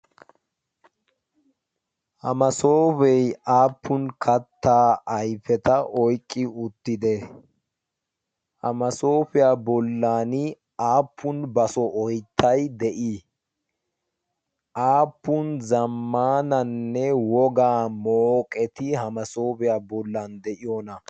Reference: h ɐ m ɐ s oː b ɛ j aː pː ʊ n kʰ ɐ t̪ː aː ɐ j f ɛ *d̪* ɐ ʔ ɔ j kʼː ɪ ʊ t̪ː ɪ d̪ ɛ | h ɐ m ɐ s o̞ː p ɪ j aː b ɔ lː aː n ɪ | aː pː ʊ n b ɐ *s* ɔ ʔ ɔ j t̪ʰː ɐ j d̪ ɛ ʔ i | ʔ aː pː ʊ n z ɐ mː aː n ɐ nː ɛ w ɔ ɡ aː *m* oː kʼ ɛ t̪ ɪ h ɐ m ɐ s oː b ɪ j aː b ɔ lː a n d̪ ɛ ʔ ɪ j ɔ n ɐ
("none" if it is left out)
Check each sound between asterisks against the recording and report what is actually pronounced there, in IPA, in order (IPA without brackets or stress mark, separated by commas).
t̪, s, m